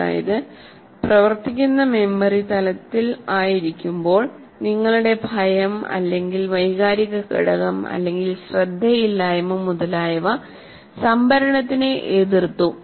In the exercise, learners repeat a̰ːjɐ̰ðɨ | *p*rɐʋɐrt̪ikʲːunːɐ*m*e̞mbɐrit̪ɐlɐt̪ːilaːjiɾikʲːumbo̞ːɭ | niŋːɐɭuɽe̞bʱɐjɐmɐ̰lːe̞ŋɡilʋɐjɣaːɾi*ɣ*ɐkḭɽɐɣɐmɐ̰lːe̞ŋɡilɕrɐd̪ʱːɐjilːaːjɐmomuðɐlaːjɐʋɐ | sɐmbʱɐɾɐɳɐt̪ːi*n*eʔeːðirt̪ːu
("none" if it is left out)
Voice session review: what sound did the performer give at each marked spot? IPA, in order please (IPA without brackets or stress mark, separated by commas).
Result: p, m, ɣ, n